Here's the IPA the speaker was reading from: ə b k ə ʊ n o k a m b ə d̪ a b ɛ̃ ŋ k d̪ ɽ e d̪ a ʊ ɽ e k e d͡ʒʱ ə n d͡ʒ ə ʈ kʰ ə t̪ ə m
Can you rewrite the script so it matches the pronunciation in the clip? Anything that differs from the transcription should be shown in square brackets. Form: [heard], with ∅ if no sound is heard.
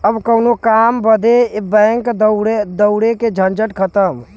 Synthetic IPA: ə b k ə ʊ n o k a m b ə d̪ [e] b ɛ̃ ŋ k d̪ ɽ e d̪ [ə] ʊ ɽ e k e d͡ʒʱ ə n d͡ʒ ə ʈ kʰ ə t̪ ə m